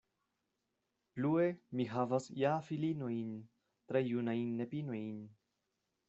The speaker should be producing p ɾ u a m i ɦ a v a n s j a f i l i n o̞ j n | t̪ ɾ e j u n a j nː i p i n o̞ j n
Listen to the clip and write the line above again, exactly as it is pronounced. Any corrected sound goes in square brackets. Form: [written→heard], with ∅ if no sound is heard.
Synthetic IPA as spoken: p [ɾ→l] u [a→e] m i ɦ a v a [n→∅] s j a f i l i n o̞ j n | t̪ ɾ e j u n a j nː [i→e] p i n o̞ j n